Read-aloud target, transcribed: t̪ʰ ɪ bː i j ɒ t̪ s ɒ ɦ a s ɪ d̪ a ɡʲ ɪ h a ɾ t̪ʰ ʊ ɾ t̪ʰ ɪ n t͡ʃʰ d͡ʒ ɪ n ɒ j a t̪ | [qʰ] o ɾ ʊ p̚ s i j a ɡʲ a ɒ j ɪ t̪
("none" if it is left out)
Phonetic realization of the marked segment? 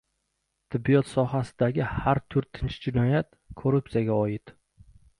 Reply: kʰ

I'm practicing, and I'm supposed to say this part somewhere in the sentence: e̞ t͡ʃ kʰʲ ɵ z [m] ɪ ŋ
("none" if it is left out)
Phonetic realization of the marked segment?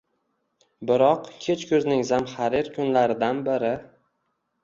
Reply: n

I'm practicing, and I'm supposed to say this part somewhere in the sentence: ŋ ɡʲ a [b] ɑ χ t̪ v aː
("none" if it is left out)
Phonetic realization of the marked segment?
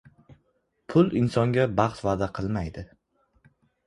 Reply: b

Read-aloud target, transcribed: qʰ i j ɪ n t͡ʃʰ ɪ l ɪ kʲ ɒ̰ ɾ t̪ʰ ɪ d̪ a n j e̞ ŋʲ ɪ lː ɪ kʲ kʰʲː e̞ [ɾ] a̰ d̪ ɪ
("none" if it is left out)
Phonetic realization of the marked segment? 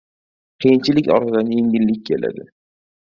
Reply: l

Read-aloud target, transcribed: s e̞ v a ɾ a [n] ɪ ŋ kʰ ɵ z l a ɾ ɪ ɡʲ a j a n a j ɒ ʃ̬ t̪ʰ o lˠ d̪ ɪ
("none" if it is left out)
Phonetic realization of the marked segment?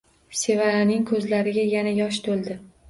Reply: n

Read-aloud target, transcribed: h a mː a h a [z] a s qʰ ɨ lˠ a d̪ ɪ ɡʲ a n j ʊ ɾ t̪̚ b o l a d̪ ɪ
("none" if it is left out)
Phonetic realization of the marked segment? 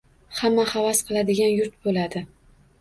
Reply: v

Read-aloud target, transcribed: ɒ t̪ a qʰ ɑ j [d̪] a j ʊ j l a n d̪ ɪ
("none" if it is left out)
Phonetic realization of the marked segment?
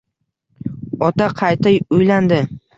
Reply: t̪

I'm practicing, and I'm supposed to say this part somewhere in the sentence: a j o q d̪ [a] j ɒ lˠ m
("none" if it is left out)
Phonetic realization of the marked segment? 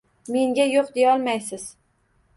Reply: e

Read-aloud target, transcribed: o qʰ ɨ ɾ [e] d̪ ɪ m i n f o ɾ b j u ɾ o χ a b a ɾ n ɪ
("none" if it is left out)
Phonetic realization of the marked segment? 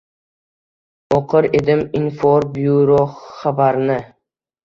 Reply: e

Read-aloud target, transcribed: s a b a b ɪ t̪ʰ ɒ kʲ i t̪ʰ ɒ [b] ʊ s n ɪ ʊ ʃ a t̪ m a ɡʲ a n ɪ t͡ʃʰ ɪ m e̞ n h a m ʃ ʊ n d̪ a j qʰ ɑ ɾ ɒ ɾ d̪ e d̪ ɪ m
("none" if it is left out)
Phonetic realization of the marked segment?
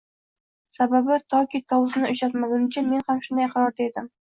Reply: w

